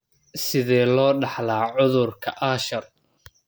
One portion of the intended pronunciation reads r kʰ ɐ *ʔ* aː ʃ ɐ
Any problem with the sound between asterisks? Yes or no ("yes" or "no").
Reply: no